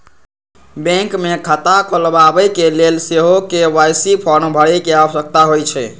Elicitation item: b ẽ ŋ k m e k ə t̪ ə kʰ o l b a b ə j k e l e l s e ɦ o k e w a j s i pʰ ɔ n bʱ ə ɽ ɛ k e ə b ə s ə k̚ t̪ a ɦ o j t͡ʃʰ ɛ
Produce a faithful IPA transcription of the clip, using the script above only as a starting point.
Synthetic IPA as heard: b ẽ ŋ k m e kʰ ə t̪ a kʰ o l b a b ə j k e l e l s e ɦ o k e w a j s i pʰ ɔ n bʱ ə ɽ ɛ k e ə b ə s ə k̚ t̪ a ɦ o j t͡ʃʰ ɛ

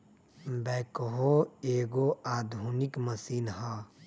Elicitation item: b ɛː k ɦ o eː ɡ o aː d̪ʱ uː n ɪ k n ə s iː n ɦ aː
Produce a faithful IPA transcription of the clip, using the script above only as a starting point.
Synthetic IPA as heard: b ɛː k ɦ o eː ɡ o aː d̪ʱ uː n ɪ k m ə s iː n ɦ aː

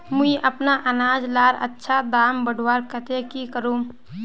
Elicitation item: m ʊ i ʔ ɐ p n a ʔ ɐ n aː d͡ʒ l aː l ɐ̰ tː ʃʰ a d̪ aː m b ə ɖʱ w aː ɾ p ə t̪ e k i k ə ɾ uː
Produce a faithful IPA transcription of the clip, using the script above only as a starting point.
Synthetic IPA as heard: m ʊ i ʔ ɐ p n a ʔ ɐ n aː d͡ʒ l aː ɾ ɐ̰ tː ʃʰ a d̪ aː m b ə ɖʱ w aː ɾ k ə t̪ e k i k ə ɾ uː

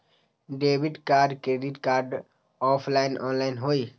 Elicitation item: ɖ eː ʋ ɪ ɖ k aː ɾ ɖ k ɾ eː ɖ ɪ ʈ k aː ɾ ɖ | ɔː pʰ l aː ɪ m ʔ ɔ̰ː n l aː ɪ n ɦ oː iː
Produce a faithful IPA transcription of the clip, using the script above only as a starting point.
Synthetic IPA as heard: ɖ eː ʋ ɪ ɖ k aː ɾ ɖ k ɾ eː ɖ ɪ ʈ k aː ɾ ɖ | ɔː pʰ l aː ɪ n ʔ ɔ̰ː n l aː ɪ n ɦ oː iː

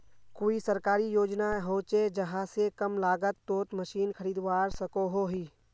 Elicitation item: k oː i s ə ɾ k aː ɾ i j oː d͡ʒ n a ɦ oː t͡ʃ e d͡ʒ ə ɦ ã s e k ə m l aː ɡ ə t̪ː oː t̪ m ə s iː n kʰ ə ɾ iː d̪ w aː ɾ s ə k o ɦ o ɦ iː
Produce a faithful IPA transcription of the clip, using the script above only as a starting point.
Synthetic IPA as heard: k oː i s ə ɾ k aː ɾ i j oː d͡ʒ n a ɦ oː t͡ʃ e d͡ʒ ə ɦ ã s e k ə m l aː ɡ ə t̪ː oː t̪ m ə ʃ iː n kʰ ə ɾ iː d̪ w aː ɾ s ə k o ɦ o ɦ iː

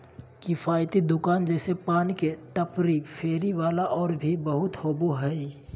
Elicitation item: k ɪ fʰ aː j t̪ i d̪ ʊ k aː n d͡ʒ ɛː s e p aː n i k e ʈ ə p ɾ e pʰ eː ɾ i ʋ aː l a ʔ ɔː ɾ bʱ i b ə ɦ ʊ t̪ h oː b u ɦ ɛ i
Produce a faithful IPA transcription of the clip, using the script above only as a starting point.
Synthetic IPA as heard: k ɪ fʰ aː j t̪ i d̪ ʊ k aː n d͡ʒ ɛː s e p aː n i k e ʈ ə p ɾ i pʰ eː ɾ i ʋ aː l a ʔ ɔː ɾ bʱ i b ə ɦ ʊ t̪ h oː b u ɦ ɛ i

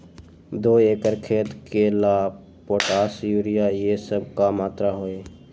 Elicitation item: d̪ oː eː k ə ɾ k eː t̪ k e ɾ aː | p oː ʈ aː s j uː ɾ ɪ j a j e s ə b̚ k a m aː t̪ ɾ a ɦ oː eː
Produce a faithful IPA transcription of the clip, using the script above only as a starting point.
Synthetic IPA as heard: d̪ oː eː k ə ɾ kʰ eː t̪ k e l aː | p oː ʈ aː s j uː ɾ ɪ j a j e s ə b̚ k a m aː t̪ ɾ a ɦ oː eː

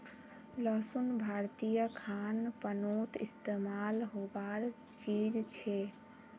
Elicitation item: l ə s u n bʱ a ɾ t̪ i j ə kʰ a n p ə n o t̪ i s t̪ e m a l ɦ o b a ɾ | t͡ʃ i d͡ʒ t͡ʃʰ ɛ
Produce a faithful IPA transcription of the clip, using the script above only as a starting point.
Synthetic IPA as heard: l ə s u n bʱ a ɾ t̪ i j ə kʰ a n p ə n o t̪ i s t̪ e m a l ɦ o b a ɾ | t͡ʃ i d͡ʒ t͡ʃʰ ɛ

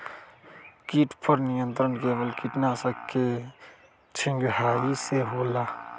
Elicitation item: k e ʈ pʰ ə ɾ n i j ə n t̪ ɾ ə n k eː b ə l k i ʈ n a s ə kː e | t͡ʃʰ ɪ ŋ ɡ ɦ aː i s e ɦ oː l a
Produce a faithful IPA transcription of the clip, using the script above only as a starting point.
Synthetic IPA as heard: k i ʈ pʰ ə ɾ n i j ə n t̪ ɾ ə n k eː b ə l k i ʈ n a s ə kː e | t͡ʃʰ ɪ ŋ ɡ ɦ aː i s e ɦ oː l a

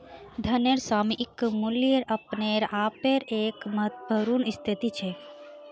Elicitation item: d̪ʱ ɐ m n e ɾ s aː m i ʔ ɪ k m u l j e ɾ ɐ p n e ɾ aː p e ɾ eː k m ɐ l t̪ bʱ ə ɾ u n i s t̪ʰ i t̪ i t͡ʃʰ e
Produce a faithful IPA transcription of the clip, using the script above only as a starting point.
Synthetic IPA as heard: d̪ʱ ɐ n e ɾ s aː m i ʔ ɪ k m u l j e ɾ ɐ p n e ɾ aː p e ɾ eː k m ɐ t̪ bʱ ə ɾ u n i s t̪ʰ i t̪ i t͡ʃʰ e

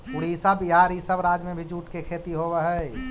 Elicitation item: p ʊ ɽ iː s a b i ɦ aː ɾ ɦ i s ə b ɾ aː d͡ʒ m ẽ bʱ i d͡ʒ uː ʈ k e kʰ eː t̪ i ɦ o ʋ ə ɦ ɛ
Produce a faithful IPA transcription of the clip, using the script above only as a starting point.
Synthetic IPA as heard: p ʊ ɽ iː s a b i ɦ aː ɾ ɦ i s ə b ɾ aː d͡ʒ m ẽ bʱ i d͡ʒ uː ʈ k e kʰ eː t̪ i ɦ o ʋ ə ɦ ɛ

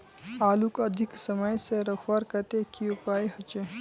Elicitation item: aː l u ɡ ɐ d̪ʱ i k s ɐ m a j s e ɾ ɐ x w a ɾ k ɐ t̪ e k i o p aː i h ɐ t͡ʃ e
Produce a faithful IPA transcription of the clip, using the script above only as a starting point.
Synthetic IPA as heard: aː l u k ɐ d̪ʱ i k s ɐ m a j s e ɾ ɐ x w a ɾ k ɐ t̪ e k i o p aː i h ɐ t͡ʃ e

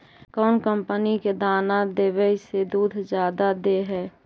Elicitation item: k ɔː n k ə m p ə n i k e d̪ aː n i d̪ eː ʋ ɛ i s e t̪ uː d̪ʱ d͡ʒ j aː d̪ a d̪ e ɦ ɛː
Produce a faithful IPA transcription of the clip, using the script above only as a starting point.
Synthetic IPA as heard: k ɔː n k ə m p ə n i k e d̪ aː n a d̪ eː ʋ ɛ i s e d̪ uː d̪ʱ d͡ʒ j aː d̪ a d̪ e ɦ ɛː

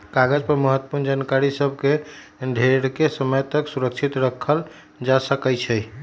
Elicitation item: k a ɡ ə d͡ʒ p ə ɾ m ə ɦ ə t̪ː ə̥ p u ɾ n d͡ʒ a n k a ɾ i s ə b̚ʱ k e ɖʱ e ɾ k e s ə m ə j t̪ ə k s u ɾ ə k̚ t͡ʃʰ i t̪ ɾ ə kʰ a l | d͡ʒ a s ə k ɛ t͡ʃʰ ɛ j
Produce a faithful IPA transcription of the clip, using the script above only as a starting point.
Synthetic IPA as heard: k a ɡ ə d͡ʒ p ə ɾ m ə ɦ ə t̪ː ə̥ p u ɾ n d͡ʒ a n k a ɾ i s ə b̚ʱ k e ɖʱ e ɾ k e s ə m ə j t̪ ə k s u ɾ ə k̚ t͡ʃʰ i t̪ ɾ ə kʰ ə l | d͡ʒ a s ə k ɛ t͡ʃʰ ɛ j

